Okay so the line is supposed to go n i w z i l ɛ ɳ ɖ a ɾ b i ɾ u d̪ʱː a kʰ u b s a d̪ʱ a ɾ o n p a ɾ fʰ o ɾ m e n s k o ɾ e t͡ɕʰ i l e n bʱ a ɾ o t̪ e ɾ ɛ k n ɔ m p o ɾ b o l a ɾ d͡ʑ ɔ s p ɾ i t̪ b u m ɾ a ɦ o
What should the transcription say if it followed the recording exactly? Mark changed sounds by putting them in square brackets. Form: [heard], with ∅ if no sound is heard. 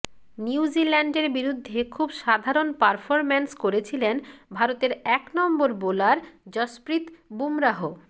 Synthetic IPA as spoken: n i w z i l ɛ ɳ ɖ [e] ɾ b i ɾ u d̪ʱː [e] kʰ u b [ʃ] a d̪ʱ a ɾ o n p a ɾ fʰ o ɾ m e n s k o ɾ e t͡ɕʰ i l e n bʱ a ɾ o t̪ e ɾ ɛ k n ɔ m [b] o ɾ b o l a ɾ d͡ʑ ɔ s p ɾ i t̪ b u m ɾ a ɦ o